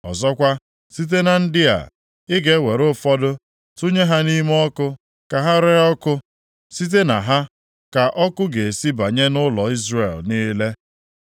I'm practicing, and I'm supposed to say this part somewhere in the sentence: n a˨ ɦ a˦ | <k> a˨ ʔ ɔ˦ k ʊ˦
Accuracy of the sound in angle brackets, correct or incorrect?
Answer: correct